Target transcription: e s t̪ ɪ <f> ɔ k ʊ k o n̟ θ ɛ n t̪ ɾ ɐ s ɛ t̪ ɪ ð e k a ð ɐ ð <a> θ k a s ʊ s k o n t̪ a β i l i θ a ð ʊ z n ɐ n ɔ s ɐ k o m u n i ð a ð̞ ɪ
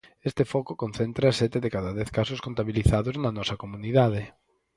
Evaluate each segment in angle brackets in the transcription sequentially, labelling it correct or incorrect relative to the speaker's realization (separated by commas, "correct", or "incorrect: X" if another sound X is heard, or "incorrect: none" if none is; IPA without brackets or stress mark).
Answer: correct, incorrect: ɛ